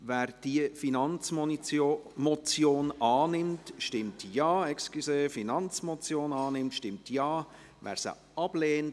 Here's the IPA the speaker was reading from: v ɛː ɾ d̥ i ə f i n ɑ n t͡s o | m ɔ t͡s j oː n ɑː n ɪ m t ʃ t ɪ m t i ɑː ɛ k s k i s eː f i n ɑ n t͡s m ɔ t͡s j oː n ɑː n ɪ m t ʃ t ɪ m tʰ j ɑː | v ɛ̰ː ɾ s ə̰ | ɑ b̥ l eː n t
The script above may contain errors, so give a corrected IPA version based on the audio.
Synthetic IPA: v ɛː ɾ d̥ i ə f i n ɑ n t͡s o | m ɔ t͡s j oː n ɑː n ɪ m t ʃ t ɪ m t j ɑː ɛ k s k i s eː f i n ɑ n t͡s m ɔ t͡s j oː n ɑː n ɪ m t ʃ t ɪ m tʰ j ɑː | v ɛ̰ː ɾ s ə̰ | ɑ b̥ l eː n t